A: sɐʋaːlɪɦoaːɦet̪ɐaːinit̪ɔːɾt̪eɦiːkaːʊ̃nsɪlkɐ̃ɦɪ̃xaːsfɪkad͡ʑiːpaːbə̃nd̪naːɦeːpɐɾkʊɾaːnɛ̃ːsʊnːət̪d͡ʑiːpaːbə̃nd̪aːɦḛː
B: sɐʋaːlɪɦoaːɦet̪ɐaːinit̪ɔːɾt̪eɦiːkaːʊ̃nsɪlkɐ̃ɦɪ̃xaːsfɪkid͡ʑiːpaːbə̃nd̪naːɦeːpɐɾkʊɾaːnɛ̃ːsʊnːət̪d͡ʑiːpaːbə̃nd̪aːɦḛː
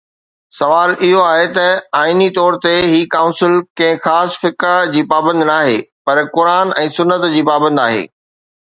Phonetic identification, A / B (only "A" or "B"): A